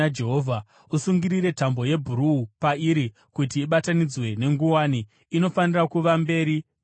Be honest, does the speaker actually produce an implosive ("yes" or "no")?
yes